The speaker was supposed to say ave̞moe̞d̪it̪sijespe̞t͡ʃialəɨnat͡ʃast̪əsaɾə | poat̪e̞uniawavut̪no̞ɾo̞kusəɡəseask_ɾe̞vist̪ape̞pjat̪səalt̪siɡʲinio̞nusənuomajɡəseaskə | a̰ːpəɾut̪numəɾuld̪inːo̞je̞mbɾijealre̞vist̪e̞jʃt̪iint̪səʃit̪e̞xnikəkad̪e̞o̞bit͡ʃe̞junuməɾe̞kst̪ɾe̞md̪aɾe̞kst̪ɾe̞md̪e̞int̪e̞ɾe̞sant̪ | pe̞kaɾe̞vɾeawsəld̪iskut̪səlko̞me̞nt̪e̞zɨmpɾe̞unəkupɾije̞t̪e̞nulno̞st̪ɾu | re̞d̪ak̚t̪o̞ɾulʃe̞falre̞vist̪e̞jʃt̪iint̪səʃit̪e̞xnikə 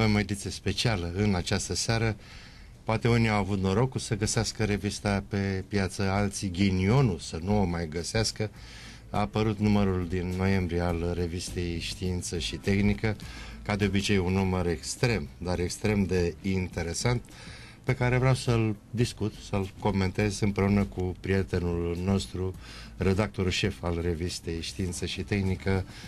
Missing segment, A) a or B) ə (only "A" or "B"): B